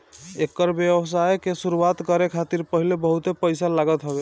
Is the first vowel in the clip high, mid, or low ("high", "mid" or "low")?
mid